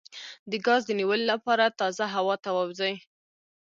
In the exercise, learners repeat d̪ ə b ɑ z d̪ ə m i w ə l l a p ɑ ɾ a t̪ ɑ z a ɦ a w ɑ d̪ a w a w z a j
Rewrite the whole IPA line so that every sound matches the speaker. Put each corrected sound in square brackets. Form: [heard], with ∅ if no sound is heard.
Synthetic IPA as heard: d̪ ə [ɡ] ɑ z d̪ ə [n] i w ə l l a p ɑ ɾ a t̪ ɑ z a ɦ a w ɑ [t̪] a w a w z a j